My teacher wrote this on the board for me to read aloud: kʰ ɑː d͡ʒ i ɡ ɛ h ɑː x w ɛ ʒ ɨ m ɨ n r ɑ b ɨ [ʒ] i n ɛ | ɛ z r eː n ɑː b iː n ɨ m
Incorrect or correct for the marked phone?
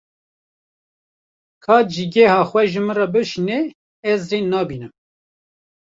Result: incorrect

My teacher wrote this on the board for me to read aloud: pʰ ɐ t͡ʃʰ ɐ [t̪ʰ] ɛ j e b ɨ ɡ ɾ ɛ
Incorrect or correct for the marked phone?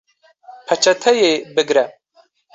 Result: correct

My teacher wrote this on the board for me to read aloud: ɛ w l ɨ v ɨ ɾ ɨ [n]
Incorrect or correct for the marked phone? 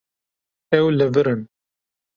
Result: correct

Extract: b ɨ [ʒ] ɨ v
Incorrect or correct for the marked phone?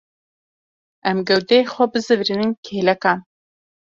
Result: incorrect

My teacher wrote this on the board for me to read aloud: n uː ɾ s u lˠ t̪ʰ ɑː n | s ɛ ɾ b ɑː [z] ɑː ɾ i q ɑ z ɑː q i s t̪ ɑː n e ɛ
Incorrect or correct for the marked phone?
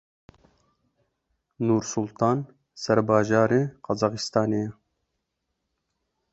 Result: incorrect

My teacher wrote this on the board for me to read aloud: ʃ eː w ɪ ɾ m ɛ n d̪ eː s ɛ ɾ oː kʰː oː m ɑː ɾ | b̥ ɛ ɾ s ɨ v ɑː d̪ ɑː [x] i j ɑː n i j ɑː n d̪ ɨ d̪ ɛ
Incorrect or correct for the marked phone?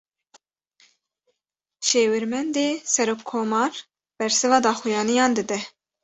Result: correct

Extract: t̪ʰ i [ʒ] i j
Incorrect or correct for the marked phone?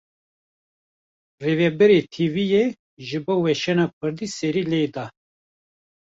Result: incorrect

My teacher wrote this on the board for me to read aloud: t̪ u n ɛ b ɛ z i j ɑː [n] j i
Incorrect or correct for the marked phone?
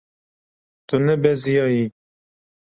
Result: incorrect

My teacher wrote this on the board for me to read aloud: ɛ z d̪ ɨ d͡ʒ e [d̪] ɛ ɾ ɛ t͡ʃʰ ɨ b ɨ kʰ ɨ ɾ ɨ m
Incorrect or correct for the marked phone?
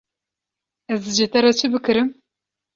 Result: incorrect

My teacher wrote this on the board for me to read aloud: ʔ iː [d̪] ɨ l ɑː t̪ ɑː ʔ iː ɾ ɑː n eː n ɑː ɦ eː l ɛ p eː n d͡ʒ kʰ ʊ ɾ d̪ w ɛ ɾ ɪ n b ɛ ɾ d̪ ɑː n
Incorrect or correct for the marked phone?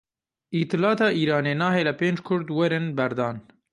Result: incorrect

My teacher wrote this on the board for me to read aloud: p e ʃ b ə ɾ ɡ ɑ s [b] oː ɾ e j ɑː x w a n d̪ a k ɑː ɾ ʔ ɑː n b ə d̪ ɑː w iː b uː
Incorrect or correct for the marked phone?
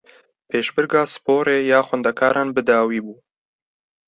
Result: incorrect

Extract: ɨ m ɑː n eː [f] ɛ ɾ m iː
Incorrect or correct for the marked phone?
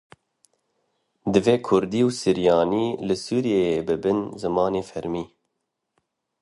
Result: correct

